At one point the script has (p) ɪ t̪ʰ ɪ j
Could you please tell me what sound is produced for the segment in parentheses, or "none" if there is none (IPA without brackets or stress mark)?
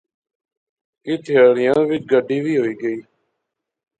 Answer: k